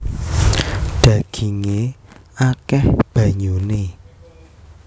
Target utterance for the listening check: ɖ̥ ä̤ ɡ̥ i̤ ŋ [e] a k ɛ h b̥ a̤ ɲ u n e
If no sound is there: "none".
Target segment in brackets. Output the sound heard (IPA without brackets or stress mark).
e